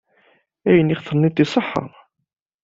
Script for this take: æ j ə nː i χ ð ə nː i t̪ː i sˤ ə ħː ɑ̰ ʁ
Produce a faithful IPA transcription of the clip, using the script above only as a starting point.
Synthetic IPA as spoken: æ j ə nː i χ θ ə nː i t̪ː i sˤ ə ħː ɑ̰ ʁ